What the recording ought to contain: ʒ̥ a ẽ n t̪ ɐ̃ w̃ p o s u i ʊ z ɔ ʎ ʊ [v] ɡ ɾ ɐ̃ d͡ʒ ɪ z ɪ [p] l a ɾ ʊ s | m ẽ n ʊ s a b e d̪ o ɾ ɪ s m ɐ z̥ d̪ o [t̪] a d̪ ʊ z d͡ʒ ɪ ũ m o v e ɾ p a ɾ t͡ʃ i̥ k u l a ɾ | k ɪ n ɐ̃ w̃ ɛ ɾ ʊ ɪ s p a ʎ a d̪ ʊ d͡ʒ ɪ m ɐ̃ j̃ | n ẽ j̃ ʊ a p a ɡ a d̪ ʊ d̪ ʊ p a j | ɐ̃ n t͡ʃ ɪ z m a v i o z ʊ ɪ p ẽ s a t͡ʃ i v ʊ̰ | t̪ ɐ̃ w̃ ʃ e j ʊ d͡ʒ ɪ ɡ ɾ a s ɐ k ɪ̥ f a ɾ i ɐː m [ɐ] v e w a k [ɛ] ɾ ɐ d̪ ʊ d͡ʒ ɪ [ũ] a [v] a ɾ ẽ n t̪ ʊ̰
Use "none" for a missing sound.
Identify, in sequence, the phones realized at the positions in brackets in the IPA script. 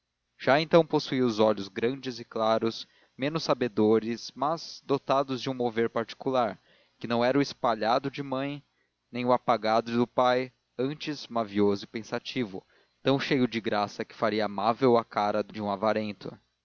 z, k, t̪, a, a, ũ, v

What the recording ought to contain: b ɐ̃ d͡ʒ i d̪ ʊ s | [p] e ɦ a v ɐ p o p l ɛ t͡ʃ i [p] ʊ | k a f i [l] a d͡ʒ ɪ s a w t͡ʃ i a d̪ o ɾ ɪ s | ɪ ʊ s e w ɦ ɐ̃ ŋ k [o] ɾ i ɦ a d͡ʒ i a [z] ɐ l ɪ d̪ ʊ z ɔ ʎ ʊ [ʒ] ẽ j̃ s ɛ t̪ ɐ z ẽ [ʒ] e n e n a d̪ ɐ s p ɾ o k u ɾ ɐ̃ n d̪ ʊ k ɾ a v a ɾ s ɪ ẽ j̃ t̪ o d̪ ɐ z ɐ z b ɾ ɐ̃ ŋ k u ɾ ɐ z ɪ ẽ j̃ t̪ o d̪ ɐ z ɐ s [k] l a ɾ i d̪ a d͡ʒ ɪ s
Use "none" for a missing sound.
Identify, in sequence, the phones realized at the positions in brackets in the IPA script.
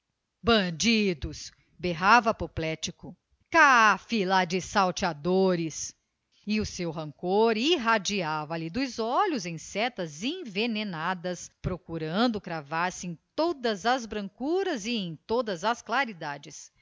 b, k, l, o, v, z, v, k

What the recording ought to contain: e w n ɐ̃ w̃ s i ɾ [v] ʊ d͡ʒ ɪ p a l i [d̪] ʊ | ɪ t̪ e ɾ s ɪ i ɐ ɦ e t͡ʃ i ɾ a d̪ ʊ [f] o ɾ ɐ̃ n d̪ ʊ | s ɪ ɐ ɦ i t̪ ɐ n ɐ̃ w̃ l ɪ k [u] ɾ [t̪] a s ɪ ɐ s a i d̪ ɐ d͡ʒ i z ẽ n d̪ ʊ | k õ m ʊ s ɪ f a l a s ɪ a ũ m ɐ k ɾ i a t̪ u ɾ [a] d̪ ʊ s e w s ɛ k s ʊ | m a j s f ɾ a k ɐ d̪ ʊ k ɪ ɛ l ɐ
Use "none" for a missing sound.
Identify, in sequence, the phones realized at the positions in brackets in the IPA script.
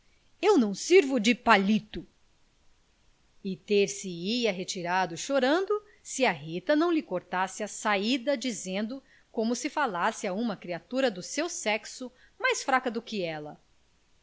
v, t̪, ʃ, o, t̪, ɐ

